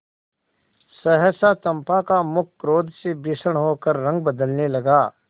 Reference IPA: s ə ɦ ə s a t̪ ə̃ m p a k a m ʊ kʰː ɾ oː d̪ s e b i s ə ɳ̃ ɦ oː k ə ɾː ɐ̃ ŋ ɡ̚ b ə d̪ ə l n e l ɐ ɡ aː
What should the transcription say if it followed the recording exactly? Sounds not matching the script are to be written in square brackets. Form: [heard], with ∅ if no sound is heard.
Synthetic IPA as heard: s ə ɦ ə s a t̪ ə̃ m p a k a m ʊ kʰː ɾ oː d̪ s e b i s ə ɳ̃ ɦ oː k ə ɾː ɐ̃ ŋ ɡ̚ b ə d̪ ə l n e l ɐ ɡ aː